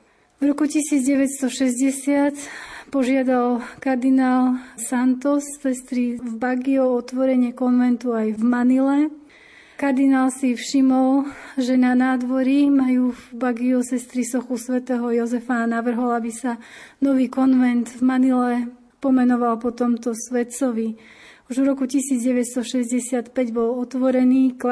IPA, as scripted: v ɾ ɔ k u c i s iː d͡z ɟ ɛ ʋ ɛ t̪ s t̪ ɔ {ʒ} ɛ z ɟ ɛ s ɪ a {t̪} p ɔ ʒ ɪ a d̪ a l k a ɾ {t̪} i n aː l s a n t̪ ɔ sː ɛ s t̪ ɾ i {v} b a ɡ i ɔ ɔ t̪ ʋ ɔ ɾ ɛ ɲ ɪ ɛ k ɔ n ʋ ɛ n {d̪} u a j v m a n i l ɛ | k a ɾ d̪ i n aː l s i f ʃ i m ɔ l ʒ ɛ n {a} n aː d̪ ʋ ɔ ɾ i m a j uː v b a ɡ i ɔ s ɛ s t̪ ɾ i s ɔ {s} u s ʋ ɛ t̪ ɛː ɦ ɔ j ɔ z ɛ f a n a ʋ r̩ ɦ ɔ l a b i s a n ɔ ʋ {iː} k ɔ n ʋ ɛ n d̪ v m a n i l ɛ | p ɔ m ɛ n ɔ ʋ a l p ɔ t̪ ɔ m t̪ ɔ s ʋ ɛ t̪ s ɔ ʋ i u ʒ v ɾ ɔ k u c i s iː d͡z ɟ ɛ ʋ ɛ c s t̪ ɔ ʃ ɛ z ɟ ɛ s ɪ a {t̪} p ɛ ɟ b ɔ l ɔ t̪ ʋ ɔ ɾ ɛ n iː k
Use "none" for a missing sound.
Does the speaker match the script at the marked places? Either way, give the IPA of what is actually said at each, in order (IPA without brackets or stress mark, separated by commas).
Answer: ʃ, t̪, d̪, v, t̪, a, x, iː, t̪